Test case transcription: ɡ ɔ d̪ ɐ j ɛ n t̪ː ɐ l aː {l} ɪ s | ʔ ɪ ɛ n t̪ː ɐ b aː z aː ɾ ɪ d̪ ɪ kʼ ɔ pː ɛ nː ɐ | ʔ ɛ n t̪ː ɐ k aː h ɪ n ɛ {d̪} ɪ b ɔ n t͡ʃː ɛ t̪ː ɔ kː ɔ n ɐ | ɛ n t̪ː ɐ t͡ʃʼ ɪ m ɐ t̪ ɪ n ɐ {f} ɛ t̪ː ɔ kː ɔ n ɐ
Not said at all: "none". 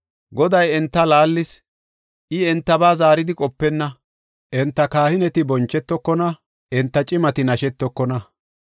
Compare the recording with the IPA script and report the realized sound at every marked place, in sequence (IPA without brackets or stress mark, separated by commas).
lː, t̪, ʃ